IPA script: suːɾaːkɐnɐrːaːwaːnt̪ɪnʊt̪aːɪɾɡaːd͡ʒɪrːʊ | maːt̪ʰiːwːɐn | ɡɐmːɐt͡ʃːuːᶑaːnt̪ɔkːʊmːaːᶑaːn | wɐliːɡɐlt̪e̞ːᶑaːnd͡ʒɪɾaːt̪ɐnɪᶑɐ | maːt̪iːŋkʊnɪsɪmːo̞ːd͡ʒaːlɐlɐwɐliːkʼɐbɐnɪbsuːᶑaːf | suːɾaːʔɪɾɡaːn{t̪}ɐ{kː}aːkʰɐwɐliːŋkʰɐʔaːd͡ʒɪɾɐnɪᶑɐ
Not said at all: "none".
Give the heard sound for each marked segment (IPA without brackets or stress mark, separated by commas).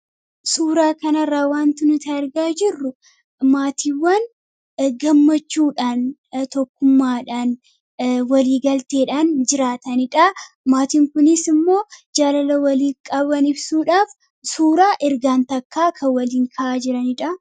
t̪, kː